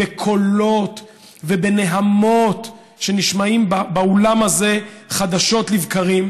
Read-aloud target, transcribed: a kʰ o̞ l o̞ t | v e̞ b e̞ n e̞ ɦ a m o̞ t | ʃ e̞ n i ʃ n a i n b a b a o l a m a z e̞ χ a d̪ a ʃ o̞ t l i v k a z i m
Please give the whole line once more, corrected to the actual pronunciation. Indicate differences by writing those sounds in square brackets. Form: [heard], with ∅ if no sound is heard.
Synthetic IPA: [e] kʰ o̞ l o̞ t | v e̞ b e̞ n e̞ ɦ a m o̞ t | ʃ e̞ n i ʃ [m] a i [m] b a b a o l a m a z e̞ χ a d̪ a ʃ o̞ t l i v k a [ʁ] i m